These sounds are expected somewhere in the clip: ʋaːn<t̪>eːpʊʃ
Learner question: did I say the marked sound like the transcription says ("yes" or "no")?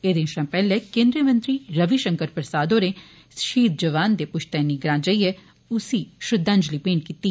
no